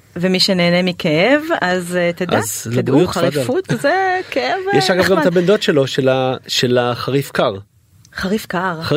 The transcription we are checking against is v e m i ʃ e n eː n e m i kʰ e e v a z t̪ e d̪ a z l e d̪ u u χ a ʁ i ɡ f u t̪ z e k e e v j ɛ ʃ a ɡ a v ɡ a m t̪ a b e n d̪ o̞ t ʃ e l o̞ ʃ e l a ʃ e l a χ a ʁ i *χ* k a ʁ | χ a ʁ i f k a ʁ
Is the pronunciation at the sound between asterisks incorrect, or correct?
incorrect